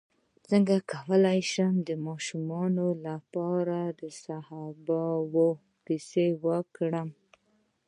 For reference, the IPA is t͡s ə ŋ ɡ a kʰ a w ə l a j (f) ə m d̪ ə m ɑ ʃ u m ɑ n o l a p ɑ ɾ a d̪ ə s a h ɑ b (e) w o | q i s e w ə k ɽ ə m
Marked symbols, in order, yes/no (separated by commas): no, no